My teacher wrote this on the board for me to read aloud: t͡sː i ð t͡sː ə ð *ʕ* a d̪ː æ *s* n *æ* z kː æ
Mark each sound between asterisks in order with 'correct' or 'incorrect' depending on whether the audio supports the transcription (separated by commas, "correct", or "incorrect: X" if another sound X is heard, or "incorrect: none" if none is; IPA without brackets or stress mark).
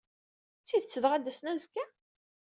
incorrect: ʁ, correct, correct